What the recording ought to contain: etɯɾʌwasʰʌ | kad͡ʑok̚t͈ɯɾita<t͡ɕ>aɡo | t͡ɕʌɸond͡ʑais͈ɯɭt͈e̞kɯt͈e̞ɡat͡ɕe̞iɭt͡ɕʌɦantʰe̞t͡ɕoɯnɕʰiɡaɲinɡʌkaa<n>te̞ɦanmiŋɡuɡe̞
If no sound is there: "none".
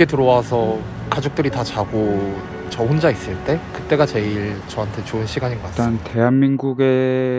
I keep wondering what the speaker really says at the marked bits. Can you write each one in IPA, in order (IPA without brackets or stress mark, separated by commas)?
t͡ɕ, n